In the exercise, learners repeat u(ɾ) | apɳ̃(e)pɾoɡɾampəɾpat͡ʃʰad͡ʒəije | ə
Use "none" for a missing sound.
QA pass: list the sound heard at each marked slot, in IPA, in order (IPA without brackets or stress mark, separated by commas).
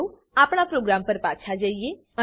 none, a